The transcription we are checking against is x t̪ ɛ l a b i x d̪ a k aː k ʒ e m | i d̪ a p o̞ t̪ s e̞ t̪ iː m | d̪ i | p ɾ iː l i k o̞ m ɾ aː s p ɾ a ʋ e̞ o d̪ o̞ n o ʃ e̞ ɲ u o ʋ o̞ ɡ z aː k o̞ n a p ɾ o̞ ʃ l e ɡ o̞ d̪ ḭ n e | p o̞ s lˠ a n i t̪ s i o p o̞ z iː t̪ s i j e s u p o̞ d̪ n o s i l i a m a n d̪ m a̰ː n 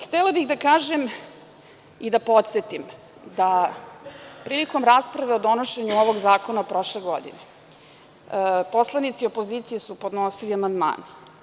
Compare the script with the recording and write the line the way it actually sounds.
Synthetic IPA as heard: x t̪ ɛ l a b i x d̪ a k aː ʒ e m | i d̪ a p o̞ t̪ s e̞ t̪ i m | d̪ a | p ɾ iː l i k o̞ m ɾ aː s p ɾ a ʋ e̞ o d̪ o̞ n o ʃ e̞ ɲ u o ʋ o̞ ɡ z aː k o̞ n a p ɾ o̞ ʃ l e ɡ o̞ d̪ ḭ n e | p o̞ s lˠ a n i t̪ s i o p o̞ z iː t̪ s i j e s u p o̞ d̪ n o s i l i a m a n d̪ m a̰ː n